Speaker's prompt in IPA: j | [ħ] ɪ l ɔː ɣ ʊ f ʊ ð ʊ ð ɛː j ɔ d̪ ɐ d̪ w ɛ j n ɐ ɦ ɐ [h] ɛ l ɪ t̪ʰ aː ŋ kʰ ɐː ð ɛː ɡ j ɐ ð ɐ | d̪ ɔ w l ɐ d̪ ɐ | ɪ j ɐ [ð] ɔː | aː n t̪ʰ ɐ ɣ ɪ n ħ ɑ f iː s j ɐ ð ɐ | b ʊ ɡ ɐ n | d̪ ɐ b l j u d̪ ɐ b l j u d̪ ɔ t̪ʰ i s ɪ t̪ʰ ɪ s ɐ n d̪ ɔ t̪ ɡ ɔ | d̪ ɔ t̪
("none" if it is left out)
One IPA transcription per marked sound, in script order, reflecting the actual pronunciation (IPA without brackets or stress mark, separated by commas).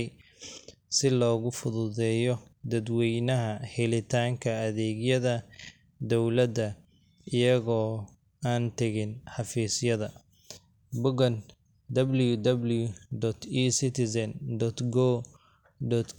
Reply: s, h, ɣ